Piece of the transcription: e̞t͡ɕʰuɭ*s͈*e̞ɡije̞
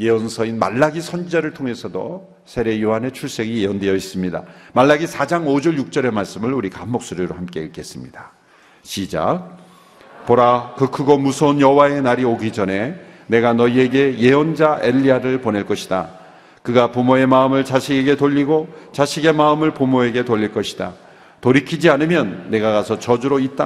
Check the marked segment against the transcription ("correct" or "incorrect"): correct